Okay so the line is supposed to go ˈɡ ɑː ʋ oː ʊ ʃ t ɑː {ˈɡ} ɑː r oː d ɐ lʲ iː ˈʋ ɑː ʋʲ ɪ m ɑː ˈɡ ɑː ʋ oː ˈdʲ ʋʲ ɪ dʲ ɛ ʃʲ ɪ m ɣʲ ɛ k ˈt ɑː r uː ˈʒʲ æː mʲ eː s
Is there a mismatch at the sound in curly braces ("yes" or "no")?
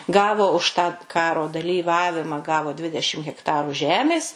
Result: yes